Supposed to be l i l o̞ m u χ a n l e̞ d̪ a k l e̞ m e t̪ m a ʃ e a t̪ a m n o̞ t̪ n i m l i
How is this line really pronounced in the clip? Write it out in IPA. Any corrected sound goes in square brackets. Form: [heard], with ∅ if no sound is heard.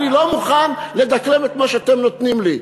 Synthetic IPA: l i l o̞ m u χ a n l e̞ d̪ a k l e̞ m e t̪ m a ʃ e a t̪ [e] m n o̞ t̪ n i m l i